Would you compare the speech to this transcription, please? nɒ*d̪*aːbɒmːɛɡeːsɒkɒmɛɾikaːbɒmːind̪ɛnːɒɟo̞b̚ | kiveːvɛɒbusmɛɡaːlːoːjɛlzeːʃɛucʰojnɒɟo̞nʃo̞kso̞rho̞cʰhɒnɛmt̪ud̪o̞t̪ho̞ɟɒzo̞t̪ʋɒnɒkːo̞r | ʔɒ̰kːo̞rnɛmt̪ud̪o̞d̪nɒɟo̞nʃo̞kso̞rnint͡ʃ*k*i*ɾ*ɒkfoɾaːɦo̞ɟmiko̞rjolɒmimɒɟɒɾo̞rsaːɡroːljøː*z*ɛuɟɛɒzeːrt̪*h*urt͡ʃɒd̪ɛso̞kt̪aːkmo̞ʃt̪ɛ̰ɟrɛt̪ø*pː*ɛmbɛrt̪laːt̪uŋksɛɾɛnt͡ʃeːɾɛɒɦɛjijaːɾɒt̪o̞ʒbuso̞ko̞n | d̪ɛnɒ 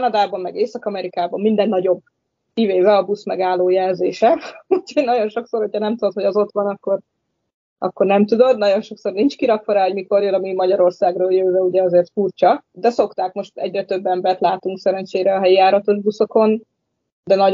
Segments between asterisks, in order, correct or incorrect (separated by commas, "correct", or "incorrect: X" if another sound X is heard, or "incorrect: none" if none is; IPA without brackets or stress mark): correct, correct, correct, incorrect: v, incorrect: f, incorrect: bː